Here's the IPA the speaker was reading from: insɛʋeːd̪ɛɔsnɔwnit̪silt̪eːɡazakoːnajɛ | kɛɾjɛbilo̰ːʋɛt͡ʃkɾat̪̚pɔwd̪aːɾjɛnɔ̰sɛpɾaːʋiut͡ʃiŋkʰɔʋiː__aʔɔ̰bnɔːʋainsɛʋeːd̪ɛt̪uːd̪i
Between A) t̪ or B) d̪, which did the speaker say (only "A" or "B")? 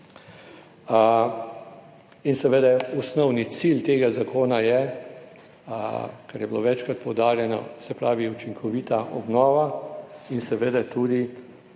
A